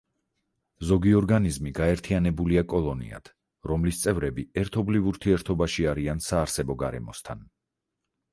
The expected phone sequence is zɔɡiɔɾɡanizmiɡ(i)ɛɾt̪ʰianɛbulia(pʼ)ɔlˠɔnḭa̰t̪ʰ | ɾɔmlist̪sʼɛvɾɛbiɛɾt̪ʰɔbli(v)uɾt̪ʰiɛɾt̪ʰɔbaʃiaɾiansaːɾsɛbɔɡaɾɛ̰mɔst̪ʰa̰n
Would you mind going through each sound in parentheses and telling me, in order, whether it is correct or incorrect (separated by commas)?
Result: incorrect, incorrect, correct